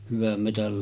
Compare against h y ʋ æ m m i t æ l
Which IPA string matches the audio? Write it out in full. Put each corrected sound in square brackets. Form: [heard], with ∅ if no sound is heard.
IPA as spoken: h y ʋ æ m m [e] t æ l